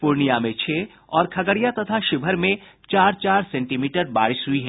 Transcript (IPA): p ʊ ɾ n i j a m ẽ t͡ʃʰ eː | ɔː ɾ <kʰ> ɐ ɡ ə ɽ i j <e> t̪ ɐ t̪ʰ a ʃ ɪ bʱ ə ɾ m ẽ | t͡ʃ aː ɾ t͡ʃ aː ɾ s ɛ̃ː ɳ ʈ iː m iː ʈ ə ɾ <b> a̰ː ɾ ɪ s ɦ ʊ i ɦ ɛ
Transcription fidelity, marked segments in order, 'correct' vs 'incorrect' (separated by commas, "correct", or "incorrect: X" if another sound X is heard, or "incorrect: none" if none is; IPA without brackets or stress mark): correct, incorrect: a, correct